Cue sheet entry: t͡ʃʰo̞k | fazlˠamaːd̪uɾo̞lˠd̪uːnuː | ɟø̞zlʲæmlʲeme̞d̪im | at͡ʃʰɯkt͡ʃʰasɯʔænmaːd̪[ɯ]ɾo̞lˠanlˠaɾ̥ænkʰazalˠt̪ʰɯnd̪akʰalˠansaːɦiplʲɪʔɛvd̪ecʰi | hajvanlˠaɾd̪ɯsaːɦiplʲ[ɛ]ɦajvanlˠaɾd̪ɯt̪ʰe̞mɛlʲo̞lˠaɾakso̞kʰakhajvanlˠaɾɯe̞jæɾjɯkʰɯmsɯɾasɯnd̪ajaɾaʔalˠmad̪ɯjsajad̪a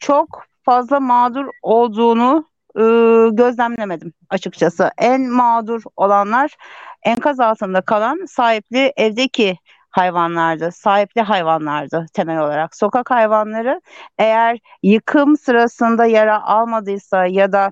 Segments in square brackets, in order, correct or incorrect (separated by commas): incorrect, incorrect